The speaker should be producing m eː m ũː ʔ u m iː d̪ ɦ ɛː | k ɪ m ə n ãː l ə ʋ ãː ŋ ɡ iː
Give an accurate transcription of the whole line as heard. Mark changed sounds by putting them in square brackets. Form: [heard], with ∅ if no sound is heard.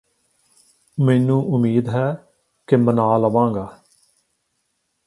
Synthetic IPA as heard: m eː [n] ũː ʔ [ʊ] m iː d̪ ɦ ɛː | k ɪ m ə n [aː] l ə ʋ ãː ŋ ɡ [aː]